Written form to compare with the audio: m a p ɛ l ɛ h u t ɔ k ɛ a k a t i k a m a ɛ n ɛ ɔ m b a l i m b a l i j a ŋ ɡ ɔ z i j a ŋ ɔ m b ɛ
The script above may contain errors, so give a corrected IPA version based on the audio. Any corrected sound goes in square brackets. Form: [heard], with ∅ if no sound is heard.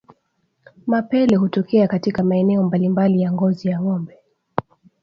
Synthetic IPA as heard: m a p ɛ l ɛ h u t ɔ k ɛ a k a t i k a m a ɛ n ɛ ɔ m b a l i m b a l i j a ŋ ɡ ɔ z i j a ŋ ɔ m b ɛ